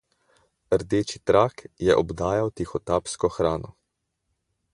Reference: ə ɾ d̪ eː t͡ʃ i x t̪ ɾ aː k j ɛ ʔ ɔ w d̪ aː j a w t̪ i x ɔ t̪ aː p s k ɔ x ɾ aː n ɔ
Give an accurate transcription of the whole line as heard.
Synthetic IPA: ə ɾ d̪ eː t͡ʃ i t̪ ɾ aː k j ɛ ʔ ɔ b d̪ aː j a w t̪ i x ɔ t̪ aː p s k ɔ x ɾ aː n ɔ